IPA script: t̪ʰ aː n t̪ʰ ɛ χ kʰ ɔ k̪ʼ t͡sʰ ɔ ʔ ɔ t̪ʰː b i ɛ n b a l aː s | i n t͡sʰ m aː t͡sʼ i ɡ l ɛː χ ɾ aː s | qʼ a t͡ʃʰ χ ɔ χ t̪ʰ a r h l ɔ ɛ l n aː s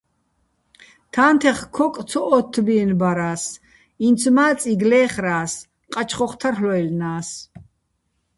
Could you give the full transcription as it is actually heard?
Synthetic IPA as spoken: t̪ʰ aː n t̪ʰ ɛ χ kʰ ɔ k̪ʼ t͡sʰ ɔ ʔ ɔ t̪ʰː b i ɛ n b a ɾ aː s | i n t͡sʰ m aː t͡sʼ i ɡ l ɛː χ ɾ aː s | qʼ a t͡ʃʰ χ ɔ χ t̪ʰ a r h l ɔ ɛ l n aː s